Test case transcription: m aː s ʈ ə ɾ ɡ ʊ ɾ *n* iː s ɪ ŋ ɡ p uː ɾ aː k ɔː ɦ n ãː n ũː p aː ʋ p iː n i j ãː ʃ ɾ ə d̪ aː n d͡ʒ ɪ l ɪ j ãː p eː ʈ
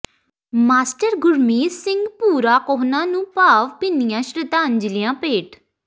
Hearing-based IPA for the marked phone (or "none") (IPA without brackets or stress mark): m